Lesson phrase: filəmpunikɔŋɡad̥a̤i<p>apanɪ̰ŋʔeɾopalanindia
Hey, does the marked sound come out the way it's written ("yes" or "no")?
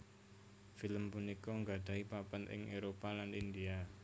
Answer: yes